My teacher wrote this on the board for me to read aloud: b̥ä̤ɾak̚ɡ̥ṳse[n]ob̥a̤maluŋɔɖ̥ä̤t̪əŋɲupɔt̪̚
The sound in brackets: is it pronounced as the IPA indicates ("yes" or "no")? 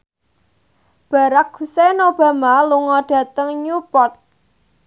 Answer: yes